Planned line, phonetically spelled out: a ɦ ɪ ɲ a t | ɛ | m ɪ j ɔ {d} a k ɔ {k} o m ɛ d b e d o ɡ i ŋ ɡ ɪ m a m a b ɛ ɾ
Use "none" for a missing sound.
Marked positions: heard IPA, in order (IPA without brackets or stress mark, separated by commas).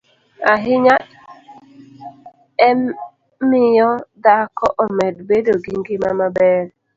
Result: d, ʔ